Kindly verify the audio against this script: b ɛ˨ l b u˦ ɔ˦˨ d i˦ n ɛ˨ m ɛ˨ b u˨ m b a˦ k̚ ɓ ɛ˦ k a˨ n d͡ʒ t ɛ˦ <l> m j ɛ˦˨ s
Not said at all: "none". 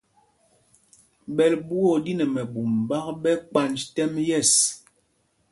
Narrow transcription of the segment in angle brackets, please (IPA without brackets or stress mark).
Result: none